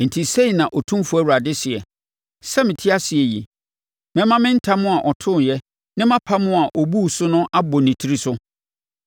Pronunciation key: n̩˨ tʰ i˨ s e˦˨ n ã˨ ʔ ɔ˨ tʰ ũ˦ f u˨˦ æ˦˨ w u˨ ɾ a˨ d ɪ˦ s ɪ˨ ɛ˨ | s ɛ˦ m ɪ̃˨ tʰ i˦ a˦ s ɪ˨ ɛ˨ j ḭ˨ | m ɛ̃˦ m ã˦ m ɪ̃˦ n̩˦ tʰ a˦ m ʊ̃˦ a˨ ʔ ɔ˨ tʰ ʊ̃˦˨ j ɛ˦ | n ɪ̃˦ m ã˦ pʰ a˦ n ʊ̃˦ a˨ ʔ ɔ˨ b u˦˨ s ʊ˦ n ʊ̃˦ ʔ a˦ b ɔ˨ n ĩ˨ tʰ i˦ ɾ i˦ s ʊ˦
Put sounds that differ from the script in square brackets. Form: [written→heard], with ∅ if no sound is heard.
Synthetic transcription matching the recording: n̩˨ tʰ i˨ s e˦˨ n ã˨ ʔ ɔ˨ tʰ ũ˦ f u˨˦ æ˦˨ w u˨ ɾ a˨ d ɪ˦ s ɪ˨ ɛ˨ | s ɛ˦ m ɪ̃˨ tʰ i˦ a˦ s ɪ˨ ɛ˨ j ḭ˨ | m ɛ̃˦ m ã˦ m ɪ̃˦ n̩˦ tʰ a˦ m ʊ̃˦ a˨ ʔ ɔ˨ tʰ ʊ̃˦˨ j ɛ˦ | n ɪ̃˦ m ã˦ pʰ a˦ [n→m] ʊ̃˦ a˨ ʔ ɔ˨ b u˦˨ s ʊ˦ n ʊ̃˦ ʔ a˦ b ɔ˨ n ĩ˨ tʰ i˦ ɾ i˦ s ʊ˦